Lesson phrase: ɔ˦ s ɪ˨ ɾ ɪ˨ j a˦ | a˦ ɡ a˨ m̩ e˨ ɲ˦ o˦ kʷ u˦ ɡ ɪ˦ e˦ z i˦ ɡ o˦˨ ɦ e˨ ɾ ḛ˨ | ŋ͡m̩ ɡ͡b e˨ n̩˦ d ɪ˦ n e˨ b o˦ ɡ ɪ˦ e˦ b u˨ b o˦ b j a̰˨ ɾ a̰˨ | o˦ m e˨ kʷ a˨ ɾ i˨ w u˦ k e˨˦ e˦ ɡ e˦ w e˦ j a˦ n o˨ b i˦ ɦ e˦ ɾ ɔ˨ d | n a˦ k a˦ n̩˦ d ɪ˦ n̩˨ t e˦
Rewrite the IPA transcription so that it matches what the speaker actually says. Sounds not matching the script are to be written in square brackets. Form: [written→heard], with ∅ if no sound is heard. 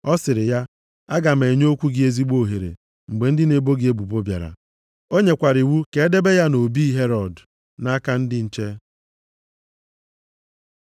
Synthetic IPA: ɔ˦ s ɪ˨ ɾ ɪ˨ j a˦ | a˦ ɡ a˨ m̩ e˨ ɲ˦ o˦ kʷ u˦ ɡ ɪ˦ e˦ z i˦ [ɡ→ɡ͡b] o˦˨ ɦ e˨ ɾ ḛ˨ | ŋ͡m̩ ɡ͡b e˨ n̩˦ d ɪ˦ n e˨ b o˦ ɡ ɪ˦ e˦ b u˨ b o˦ b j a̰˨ ɾ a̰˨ | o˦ [m→ɲ] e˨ kʷ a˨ ɾ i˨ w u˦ k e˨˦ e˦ [ɡ→d] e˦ [w→b] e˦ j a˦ n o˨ b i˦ ɦ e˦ ɾ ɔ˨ d | n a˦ k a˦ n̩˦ d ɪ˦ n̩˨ [t→t͡ʃ] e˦